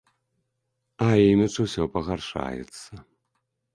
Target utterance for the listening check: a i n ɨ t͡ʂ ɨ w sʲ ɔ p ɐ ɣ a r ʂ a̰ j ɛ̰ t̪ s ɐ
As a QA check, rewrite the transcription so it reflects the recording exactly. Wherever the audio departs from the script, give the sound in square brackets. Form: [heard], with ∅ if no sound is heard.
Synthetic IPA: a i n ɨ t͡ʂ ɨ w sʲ ɔ p ɐ ɣ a r ʂ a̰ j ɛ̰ t̪ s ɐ